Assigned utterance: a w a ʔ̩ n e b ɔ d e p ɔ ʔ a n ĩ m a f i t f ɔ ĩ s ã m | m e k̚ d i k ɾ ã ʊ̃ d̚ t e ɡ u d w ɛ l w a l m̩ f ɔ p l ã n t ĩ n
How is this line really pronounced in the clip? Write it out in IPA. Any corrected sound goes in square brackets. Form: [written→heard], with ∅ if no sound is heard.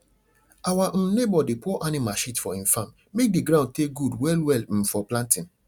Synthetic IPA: a w a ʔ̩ n e b ɔ d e p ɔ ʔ a n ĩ m a [f→ʃ] i t f ɔ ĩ [s→f] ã m | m e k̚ d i [k→ɡ] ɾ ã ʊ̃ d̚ t e ɡ u d w ɛ l w [a→ɛ] l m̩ f ɔ p l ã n t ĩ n